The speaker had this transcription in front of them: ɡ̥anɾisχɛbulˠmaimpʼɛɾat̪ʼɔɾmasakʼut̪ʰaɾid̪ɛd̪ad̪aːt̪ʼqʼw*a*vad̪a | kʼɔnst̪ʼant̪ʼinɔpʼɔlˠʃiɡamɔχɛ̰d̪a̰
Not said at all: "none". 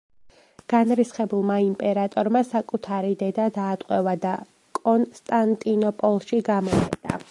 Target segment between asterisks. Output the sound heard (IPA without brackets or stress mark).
ɛ